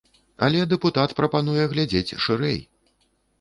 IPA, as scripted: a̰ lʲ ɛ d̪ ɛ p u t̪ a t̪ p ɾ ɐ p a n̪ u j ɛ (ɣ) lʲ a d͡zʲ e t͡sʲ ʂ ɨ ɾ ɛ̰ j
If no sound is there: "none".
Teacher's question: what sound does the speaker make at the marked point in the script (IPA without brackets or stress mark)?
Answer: ɣ